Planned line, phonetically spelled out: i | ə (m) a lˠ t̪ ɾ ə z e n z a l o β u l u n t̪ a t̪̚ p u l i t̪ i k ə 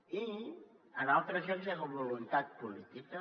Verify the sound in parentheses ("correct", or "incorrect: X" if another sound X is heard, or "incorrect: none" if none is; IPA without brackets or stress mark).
incorrect: n